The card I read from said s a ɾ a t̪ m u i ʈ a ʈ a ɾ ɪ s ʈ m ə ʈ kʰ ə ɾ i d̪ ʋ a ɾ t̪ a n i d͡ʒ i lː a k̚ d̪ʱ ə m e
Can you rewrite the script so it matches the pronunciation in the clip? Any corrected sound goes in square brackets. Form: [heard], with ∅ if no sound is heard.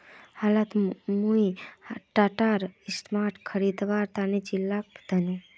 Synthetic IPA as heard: [h] a [l] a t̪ m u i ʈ a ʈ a ɾ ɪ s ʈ m [a] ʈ kʰ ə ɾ i d̪ ʋ a ɾ t̪ a n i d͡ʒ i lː a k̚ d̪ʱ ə [n] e